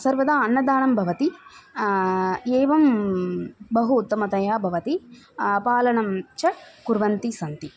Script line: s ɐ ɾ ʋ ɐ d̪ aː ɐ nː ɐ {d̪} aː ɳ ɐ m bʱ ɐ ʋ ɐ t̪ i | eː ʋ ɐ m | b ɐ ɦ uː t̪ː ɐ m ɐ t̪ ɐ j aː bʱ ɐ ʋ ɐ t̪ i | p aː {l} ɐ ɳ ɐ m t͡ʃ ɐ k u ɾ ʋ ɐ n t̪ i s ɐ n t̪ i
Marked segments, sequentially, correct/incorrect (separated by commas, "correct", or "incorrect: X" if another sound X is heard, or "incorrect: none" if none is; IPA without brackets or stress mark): correct, correct